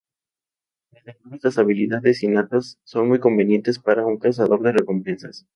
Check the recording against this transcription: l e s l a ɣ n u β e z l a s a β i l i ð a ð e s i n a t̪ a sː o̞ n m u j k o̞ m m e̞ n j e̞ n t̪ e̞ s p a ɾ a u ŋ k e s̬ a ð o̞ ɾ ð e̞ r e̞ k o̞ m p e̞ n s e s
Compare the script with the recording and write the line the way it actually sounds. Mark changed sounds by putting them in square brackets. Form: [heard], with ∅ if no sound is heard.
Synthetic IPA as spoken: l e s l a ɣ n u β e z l a s a β i l i ð a ð e s i n a t̪ a sː o̞ n m u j k o̞ m [b] e̞ n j e̞ n t̪ e̞ s p a ɾ a u ŋ k [a] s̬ a ð o̞ ɾ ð e̞ r e̞ k o̞ m p e̞ n s [a] s